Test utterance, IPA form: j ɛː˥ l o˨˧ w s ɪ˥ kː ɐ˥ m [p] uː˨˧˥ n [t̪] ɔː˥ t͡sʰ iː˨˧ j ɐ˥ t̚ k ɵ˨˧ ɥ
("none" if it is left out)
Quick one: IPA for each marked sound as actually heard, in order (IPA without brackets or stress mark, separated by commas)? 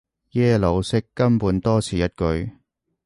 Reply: p, t̪